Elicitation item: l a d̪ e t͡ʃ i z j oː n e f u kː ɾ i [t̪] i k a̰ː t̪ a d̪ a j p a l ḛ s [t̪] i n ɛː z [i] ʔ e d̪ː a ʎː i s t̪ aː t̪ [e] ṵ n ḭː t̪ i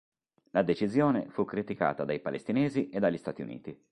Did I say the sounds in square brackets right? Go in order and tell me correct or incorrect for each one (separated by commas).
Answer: correct, correct, correct, incorrect